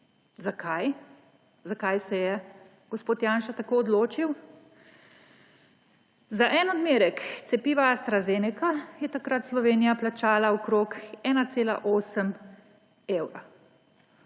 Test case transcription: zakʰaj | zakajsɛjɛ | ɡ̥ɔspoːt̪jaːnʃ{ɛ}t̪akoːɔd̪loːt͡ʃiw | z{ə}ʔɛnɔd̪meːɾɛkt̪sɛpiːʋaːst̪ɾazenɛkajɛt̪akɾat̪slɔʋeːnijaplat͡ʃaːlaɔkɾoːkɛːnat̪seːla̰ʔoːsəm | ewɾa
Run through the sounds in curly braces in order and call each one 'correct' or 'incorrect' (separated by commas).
incorrect, incorrect